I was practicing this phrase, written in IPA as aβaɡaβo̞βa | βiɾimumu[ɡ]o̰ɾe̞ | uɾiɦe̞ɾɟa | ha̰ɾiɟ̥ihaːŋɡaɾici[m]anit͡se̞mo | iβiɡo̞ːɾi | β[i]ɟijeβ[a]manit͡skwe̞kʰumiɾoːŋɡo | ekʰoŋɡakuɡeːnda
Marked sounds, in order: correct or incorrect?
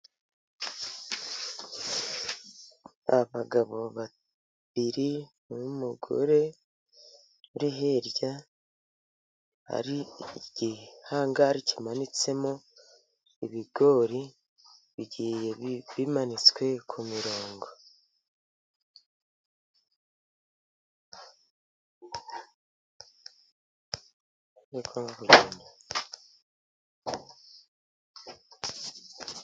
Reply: correct, correct, correct, incorrect: i

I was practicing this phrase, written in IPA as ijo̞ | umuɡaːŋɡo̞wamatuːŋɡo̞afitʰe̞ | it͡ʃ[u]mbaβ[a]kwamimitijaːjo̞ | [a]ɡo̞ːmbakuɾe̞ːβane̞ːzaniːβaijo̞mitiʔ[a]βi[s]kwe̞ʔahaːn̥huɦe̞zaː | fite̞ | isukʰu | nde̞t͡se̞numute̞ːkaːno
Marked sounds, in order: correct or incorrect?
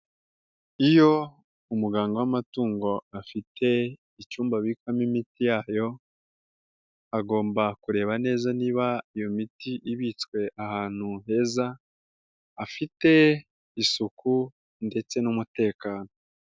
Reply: incorrect: uː, incorrect: i, correct, incorrect: i, incorrect: t͡s

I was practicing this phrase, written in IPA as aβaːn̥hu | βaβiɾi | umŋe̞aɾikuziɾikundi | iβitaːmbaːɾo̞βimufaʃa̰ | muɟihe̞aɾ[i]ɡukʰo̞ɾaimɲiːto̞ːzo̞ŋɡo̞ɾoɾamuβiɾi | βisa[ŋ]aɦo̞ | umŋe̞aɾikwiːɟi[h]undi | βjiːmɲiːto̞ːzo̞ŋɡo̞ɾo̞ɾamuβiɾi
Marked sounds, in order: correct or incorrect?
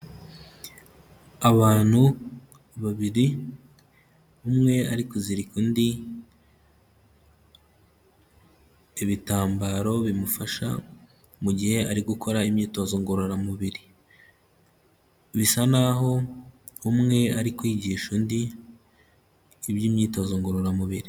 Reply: correct, incorrect: n, incorrect: ʃ

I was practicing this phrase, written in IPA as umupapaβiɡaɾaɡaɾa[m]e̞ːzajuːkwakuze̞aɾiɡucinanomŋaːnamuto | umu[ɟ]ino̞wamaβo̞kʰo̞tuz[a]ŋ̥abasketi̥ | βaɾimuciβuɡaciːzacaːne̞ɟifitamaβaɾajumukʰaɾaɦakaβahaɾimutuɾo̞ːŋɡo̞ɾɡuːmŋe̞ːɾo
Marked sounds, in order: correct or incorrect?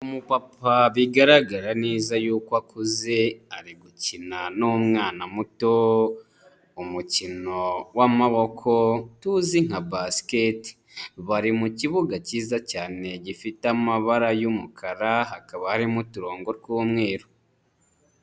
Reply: incorrect: n, incorrect: c, incorrect: i

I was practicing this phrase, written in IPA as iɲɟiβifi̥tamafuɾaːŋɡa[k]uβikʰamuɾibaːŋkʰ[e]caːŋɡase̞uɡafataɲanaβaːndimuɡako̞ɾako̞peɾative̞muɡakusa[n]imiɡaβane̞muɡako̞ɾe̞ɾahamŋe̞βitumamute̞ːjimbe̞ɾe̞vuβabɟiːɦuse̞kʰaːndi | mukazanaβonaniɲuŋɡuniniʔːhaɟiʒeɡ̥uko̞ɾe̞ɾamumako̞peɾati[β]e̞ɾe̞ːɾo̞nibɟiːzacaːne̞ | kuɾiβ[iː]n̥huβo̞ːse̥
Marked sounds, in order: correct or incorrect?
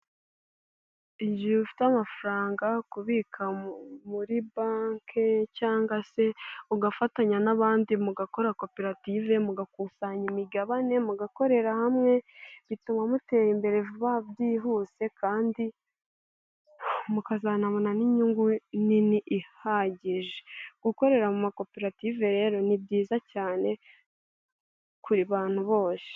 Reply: correct, correct, incorrect: ɲ, incorrect: v, incorrect: aː

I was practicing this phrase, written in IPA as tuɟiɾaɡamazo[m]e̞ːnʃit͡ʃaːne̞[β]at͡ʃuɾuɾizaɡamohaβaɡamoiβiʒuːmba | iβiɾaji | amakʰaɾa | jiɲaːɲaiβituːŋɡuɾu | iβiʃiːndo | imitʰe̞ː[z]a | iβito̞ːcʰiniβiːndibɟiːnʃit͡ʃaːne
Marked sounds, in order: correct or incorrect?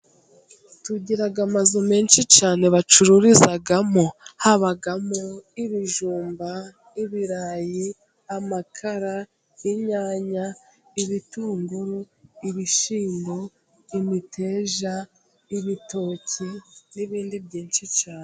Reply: correct, correct, incorrect: ʒ

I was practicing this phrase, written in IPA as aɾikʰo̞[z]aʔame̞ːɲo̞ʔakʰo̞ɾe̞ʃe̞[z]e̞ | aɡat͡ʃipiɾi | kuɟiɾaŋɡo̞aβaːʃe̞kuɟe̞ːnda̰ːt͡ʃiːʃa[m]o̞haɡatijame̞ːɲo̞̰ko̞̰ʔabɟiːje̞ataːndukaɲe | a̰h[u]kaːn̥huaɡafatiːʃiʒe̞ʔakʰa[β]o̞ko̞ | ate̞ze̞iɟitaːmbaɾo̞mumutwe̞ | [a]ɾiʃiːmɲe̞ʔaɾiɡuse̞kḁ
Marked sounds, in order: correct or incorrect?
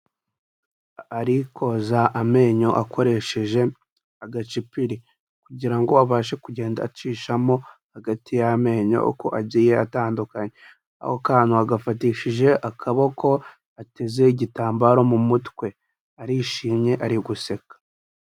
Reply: correct, incorrect: ʒ, correct, incorrect: o, correct, correct

